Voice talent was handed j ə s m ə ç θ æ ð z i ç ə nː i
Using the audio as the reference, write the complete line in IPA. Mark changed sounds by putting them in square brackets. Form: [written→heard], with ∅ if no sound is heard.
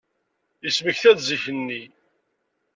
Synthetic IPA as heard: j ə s m ə ç θ æ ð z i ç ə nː i